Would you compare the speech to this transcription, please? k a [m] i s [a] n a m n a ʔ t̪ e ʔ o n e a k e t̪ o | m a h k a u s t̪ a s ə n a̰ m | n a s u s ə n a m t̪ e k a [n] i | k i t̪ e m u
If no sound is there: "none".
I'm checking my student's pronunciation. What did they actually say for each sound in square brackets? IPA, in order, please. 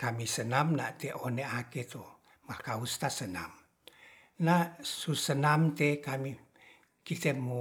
m, ə, m

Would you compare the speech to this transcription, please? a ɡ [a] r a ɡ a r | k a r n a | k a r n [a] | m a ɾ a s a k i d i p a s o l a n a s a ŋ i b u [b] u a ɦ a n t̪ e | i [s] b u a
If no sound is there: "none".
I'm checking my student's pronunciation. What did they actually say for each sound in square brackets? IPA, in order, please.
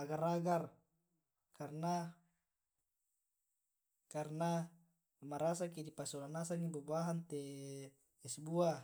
a, a, b, s

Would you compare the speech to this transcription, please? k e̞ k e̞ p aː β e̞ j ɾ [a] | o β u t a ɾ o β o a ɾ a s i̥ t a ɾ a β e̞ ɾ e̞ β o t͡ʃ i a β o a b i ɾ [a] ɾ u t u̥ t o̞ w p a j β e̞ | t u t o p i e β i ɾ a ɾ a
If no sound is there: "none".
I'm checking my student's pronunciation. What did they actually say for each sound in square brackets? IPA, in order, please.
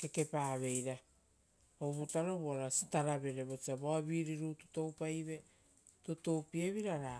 a, i

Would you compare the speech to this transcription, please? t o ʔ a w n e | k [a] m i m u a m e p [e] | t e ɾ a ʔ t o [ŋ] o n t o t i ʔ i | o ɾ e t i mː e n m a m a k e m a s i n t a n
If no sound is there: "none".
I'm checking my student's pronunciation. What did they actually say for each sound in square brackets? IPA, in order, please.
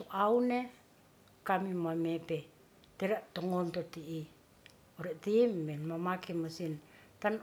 a, e, ŋ

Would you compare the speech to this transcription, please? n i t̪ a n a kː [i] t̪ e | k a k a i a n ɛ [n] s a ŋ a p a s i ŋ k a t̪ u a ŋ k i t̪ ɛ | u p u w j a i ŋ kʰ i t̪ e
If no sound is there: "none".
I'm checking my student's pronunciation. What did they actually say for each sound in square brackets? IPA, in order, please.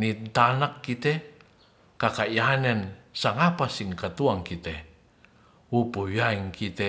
i, n

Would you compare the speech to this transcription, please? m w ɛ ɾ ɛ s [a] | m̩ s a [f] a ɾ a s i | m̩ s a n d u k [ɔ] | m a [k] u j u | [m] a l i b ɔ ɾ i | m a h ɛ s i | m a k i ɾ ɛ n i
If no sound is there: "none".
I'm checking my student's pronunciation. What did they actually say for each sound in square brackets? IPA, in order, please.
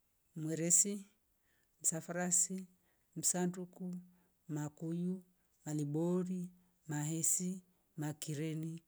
i, f, u, k, m

